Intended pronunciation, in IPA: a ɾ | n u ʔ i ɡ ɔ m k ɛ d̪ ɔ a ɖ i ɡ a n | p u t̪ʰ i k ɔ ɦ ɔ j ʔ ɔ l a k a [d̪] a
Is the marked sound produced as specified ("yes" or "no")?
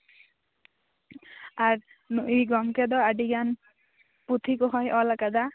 yes